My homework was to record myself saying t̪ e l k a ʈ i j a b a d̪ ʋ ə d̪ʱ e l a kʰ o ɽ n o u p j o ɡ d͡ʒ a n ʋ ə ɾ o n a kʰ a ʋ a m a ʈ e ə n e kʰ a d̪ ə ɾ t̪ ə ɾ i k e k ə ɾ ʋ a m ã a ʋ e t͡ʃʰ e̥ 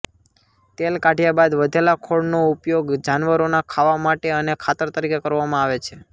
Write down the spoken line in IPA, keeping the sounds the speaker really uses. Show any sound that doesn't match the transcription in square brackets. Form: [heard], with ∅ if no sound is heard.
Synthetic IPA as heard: t̪ e l k a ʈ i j a b a d̪ ʋ ə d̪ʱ e l a kʰ o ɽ n o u p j o ɡ d͡ʒ a n ʋ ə ɾ o n a kʰ a ʋ a m a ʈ e ə n e kʰ a [t̪] ə ɾ t̪ ə ɾ i k e k ə ɾ ʋ a m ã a ʋ e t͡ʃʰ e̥